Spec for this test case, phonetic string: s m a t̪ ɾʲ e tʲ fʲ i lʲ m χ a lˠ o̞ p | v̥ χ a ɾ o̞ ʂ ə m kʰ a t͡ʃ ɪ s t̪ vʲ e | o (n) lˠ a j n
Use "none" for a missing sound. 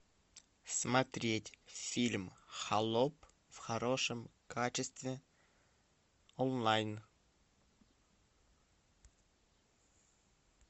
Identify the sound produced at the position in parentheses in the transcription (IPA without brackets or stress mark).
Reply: n